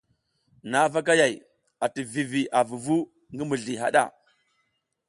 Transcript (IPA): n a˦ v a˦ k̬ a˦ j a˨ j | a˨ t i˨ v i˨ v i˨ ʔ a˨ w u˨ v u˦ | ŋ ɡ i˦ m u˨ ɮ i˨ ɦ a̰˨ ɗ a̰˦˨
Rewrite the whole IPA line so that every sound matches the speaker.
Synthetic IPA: n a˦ v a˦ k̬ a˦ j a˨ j | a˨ t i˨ v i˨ v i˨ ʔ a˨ v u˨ v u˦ | ŋ ɡ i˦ m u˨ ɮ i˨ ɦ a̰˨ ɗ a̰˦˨